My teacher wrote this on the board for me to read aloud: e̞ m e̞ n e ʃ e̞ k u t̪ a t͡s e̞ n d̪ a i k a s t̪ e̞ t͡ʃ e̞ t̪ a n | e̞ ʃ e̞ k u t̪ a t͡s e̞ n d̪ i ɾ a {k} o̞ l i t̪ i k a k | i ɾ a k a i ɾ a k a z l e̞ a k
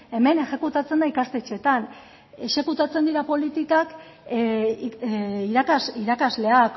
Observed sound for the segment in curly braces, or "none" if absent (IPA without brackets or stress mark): p